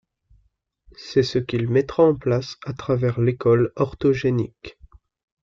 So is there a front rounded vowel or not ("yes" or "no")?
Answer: no